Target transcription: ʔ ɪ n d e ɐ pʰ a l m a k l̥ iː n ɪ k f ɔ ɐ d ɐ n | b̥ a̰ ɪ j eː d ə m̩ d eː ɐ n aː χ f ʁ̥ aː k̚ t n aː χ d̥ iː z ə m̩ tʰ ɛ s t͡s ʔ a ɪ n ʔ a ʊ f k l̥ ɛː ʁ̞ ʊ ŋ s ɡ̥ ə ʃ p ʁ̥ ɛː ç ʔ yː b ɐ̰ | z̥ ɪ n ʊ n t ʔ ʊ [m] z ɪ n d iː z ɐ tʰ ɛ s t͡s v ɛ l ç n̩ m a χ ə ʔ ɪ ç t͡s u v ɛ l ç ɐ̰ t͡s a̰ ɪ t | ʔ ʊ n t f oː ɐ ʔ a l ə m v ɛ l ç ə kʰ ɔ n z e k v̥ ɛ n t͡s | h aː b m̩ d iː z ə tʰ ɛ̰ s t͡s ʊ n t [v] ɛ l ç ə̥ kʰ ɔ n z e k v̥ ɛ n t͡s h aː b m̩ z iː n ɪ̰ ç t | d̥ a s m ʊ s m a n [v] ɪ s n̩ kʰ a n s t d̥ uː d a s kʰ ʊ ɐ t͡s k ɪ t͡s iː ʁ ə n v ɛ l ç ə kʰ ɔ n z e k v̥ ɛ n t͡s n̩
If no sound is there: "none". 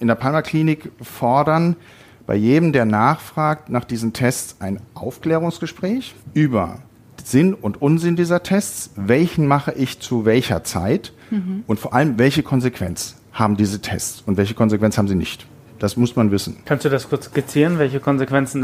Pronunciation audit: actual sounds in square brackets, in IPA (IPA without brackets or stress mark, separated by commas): n, v, v